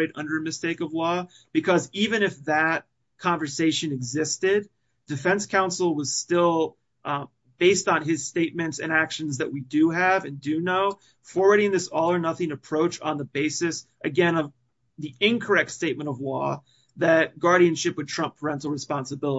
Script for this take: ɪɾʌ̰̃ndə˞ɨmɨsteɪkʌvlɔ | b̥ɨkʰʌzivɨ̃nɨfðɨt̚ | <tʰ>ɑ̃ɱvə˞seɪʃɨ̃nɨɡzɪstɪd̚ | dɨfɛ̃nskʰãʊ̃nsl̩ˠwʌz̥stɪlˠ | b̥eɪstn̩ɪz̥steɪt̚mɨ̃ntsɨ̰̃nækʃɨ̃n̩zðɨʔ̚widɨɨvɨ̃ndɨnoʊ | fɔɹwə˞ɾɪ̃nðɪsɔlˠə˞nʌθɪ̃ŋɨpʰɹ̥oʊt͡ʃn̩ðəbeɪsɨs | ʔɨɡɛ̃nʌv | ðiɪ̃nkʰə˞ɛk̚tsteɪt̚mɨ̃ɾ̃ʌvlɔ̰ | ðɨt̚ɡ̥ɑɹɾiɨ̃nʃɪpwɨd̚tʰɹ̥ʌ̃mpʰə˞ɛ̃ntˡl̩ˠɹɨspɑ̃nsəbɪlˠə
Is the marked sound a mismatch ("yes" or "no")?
yes